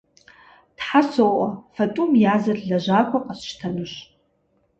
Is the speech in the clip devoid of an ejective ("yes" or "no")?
no